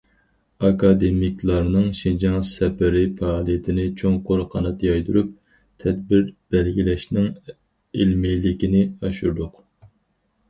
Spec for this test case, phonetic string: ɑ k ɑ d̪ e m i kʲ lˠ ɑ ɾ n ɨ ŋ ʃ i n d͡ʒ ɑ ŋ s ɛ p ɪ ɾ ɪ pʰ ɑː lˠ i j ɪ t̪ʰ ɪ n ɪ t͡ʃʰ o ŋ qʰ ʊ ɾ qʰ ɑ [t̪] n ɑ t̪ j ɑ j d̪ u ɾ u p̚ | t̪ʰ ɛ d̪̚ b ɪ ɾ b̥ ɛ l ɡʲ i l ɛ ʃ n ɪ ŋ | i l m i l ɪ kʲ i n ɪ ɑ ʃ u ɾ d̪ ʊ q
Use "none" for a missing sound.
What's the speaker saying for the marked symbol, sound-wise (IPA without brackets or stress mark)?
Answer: none